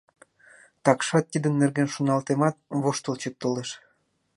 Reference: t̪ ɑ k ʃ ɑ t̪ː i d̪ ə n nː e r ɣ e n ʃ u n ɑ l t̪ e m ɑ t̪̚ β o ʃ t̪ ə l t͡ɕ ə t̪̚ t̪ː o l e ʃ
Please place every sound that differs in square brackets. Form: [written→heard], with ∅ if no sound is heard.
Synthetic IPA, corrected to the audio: t̪ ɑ k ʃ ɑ t̪ː i d̪ ə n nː e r ɣ e n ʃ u n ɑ l t̪ e m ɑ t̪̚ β o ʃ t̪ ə l t͡ɕ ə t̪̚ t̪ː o l e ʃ